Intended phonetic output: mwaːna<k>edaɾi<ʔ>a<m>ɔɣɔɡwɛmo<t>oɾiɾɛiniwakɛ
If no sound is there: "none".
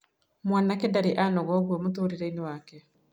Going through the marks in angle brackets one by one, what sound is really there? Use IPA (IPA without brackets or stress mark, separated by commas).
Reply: k, ʔ, n, t